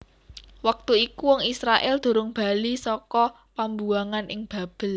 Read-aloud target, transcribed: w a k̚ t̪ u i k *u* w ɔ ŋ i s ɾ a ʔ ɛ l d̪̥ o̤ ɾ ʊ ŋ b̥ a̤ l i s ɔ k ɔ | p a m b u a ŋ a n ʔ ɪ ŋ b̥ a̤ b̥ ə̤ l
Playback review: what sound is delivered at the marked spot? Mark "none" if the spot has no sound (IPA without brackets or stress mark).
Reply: u